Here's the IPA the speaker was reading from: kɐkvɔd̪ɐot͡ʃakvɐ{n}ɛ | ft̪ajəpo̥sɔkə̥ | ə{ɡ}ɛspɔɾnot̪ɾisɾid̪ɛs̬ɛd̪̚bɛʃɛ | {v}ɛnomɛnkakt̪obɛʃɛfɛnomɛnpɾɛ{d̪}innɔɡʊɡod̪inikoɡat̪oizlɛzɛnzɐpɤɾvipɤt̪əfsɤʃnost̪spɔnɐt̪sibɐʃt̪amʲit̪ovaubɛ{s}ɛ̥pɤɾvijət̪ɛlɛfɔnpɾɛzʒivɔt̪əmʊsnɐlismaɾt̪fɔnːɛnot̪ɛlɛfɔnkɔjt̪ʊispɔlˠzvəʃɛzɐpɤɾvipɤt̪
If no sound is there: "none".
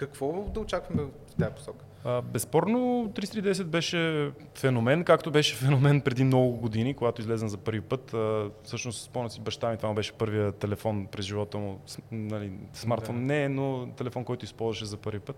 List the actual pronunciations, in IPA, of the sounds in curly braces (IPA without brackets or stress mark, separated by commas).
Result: m, b, f, d̪, ʃ